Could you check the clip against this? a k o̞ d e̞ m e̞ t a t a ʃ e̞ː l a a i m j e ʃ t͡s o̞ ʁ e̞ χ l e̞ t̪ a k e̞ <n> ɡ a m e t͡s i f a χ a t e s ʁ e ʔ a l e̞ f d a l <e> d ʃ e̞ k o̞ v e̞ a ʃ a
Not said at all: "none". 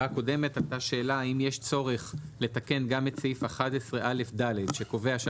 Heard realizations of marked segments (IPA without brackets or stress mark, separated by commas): n, e